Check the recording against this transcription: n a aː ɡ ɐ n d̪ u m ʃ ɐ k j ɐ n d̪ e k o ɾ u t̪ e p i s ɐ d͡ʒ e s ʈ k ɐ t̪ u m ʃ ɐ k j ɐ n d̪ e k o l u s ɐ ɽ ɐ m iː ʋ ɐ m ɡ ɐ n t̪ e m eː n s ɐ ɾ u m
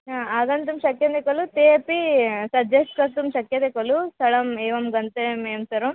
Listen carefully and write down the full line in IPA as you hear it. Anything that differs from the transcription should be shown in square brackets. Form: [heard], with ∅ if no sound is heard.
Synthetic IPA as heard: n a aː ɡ ɐ n [t̪] u m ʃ ɐ k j ɐ n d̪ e k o [l] u t̪ e p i s ɐ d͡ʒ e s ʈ k ɐ t̪ u m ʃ ɐ k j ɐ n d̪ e k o l u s ɐ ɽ ɐ m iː ʋ ɐ m ɡ ɐ n t̪ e m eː [m] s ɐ ɾ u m